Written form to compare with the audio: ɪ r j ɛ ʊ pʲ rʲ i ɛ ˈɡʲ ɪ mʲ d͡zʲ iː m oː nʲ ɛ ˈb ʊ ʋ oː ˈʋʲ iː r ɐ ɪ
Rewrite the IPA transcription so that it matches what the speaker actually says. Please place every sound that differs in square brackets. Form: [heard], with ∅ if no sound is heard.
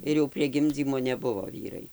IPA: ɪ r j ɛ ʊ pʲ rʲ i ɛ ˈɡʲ ɪ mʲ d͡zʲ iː m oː nʲ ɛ ˈb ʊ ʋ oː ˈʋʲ iː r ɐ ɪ